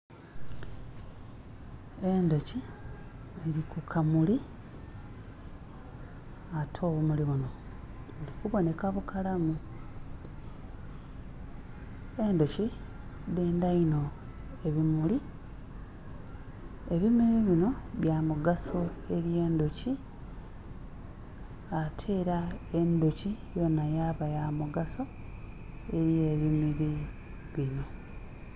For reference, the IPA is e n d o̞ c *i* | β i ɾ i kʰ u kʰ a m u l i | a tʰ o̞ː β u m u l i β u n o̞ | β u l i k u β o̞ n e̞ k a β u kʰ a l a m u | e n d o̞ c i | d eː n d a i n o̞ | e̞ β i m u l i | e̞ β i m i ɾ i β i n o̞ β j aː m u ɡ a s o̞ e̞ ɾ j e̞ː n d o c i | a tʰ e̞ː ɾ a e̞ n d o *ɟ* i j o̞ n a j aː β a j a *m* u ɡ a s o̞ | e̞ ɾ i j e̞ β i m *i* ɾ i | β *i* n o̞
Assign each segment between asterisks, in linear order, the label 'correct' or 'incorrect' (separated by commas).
correct, incorrect, correct, correct, correct